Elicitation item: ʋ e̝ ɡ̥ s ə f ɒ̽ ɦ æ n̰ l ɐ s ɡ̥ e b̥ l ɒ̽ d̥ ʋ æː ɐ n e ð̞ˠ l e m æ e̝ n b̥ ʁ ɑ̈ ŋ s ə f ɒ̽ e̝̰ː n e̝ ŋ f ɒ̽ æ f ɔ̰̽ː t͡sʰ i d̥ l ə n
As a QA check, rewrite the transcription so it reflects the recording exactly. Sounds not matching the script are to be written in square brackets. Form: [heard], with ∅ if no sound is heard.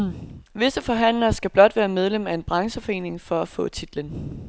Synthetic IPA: ʋ e̝ [∅] s ə f ɒ̽ ɦ æ n̰ l ɐ s ɡ̥ [æ] b̥ l ɒ̽ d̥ ʋ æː ɐ [m] e ð̞ˠ l e m æ e̝ n b̥ ʁ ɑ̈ ŋ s ə f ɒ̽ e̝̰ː n e̝ ŋ f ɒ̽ æ f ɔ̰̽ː t͡sʰ i d̥ l ə n